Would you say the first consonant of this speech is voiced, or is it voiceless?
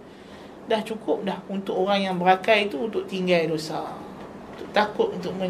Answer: voiced